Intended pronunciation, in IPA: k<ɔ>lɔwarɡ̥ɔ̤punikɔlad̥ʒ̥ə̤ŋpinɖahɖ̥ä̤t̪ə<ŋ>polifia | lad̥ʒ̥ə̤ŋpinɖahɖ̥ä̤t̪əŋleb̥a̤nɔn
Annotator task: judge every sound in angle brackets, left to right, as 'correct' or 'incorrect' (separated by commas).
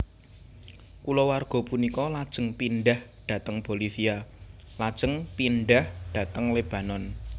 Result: incorrect, correct